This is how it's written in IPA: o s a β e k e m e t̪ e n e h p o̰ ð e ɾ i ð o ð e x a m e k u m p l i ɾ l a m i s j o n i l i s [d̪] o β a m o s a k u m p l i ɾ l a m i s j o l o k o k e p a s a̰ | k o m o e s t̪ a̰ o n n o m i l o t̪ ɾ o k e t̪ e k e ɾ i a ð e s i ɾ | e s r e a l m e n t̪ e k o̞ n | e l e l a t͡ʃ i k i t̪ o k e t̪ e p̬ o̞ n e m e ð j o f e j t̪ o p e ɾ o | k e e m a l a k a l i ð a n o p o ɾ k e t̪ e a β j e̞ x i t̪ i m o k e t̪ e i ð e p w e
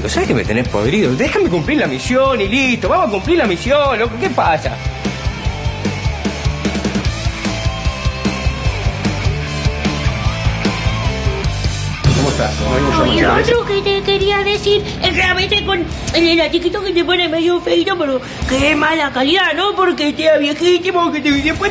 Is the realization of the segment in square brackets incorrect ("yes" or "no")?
yes